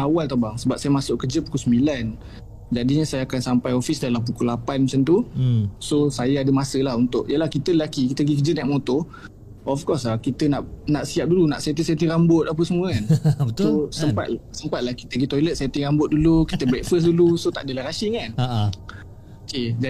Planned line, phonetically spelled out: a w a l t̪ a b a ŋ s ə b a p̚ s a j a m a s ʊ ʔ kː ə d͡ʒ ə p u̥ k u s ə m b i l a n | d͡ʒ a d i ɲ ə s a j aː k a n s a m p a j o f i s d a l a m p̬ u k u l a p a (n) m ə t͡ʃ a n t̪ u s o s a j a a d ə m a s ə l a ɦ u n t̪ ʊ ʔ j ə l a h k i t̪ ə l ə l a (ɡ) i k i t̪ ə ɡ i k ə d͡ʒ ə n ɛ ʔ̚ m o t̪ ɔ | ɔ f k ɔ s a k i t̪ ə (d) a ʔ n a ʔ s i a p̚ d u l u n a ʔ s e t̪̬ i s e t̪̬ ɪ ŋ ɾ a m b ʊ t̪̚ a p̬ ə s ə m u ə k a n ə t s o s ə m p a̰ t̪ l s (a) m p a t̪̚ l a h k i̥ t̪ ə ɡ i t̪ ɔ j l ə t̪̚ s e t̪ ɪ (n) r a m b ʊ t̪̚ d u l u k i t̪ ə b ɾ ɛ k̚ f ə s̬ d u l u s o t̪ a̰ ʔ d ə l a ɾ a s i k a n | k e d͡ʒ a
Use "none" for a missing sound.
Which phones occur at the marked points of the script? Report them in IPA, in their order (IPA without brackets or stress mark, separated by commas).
n, k, n, ə, ŋ